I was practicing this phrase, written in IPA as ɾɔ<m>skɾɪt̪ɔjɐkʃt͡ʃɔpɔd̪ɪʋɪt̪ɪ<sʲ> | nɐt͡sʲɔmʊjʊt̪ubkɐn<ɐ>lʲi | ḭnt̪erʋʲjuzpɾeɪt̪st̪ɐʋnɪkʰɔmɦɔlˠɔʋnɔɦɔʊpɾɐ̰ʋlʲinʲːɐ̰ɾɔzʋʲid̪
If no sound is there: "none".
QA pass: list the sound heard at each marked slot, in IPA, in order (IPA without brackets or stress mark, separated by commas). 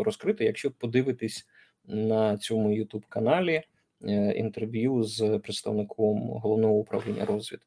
none, sʲ, ɑ